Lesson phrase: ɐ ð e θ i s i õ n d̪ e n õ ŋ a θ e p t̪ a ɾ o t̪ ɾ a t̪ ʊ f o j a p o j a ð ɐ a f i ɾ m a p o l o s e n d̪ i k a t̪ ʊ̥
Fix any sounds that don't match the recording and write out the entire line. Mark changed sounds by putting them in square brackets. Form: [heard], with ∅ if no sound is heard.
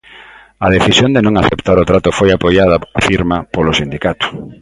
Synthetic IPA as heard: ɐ ð e θ i s [j] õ n d̪ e n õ ŋ a θ e p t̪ a ɾ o t̪ ɾ a t̪ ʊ f o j a p o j a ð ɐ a f i ɾ m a p o l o s [i] n d̪ i k a t̪ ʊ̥